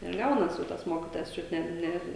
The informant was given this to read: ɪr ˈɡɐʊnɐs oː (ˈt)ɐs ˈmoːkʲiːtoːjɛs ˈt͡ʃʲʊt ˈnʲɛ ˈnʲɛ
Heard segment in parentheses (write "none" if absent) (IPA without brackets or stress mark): t